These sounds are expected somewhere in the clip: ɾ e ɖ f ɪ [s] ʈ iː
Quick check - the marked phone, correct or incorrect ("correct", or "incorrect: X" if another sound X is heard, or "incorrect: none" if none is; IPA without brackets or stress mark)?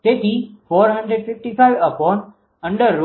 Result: incorrect: f